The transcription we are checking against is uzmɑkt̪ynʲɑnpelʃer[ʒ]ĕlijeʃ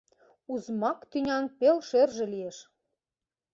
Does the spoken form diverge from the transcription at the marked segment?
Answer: no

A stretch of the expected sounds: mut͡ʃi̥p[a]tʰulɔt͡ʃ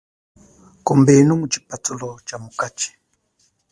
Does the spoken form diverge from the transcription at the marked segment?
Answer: no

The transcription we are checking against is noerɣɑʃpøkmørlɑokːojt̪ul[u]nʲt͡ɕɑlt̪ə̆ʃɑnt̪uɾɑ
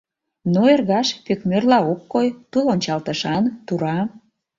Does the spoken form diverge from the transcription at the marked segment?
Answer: yes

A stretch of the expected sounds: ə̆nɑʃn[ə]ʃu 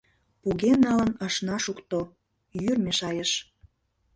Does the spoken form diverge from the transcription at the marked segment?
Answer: yes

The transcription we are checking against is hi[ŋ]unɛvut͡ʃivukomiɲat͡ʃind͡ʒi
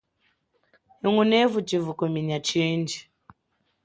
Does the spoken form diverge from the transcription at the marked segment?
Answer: no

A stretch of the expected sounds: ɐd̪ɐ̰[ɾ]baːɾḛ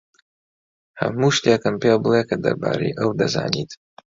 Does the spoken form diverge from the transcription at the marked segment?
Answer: no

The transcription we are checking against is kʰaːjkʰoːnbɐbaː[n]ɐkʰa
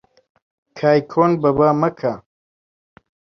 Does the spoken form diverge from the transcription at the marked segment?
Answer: yes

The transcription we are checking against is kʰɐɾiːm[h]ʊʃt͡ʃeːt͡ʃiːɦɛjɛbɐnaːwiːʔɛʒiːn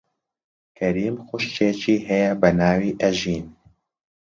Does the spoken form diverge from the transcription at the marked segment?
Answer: yes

